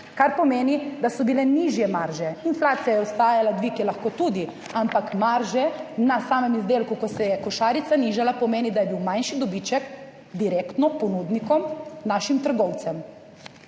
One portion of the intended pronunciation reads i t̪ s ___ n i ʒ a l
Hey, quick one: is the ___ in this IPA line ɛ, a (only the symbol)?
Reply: a